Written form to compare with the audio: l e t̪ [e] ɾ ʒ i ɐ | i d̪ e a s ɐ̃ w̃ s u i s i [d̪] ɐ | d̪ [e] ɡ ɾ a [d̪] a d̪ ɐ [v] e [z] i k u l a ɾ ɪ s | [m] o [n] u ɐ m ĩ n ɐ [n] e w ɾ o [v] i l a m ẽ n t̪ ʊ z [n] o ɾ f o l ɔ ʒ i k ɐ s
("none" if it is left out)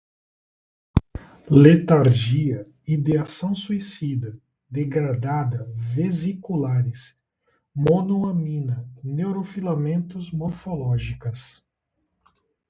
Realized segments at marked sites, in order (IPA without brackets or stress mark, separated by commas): a, d̪, e, d̪, v, z, m, n, n, f, m